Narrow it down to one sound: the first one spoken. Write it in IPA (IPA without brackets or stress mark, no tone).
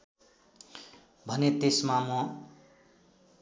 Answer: bʱ